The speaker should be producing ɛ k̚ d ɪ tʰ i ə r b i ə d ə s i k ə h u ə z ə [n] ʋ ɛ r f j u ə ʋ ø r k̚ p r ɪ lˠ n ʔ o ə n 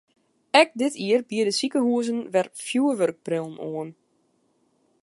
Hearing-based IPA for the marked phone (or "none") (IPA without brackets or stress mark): n